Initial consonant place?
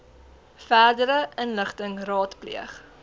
labial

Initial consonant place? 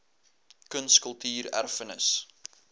velar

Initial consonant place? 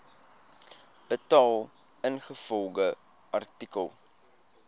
alveolar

